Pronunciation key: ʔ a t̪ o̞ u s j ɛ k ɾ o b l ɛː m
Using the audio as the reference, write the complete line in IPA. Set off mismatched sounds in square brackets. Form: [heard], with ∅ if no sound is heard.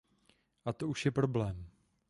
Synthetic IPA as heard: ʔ a t̪ o̞ u [ʃ] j ɛ [p] ɾ o b l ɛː m